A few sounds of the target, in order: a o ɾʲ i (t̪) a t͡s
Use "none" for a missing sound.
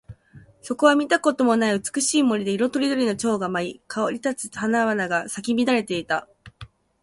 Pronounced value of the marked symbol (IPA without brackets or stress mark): t̪